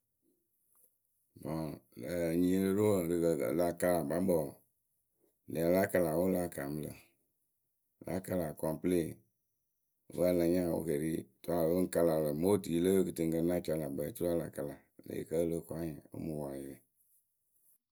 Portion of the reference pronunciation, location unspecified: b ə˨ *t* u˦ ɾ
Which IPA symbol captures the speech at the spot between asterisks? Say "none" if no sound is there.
t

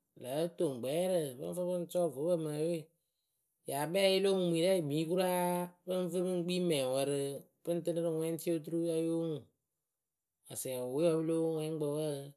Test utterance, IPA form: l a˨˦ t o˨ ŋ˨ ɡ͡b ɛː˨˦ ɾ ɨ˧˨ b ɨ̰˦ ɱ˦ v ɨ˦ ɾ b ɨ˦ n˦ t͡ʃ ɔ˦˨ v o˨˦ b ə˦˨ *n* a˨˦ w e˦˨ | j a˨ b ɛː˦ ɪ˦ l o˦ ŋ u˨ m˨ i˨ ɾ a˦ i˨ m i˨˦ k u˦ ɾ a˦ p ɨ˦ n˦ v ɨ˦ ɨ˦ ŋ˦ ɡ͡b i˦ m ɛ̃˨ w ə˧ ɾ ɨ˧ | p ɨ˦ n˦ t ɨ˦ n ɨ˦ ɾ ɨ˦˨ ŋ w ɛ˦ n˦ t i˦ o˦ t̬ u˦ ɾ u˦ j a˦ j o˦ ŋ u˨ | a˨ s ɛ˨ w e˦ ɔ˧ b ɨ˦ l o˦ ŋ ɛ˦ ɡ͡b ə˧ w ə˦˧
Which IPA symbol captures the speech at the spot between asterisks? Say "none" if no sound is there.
m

